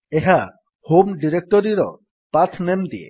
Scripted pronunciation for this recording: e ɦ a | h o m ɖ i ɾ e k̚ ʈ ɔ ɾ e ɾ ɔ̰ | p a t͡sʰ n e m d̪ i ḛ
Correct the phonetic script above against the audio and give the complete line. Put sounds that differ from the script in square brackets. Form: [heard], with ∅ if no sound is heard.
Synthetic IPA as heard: e ɦ a | h o m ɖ i ɾ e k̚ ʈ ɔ ɾ [i] ɾ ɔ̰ | p a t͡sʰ n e m d̪ i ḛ

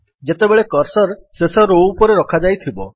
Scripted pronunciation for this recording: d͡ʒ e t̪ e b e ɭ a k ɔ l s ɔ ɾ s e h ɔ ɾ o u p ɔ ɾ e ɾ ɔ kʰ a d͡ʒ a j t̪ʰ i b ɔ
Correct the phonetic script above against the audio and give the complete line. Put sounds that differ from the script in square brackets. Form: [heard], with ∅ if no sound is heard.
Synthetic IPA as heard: d͡ʒ e t̪ e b e ɭ [e] k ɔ [ɾ] s ɔ ɾ s e [s] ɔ ɾ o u p ɔ ɾ e ɾ ɔ kʰ a d͡ʒ a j t̪ʰ i b ɔ

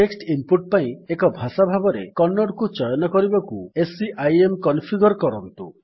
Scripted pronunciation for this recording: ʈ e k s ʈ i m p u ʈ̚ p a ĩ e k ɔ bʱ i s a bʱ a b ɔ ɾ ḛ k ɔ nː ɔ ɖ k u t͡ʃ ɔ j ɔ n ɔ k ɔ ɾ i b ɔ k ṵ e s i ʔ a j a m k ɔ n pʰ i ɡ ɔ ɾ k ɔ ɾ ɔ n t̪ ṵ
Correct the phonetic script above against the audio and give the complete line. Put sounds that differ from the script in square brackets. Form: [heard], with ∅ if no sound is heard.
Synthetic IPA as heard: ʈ e k s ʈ i m p u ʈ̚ p a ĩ e k ɔ bʱ [a] s a bʱ a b ɔ ɾ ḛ k ɔ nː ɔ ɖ k u t͡ʃ ɔ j ɔ n ɔ k ɔ ɾ i b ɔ k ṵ e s i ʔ a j [e] m k ɔ n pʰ i ɡ ɔ ɾ k ɔ ɾ ɔ n t̪ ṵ

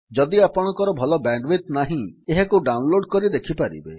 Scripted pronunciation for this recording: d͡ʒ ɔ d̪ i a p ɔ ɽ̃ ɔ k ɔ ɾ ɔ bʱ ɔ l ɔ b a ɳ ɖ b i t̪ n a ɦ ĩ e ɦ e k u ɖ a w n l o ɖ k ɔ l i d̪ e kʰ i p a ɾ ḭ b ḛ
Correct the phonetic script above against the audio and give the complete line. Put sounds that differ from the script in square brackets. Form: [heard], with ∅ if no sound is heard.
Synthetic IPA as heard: d͡ʒ ɔ d̪ i a p ɔ ɽ̃ ɔ k ɔ ɾ ɔ bʱ ɔ l ɔ b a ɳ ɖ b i t̪ n a ɦ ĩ e ɦ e k u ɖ a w n l o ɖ k ɔ [ɾ] i d̪ e kʰ i p a ɾ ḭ b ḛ

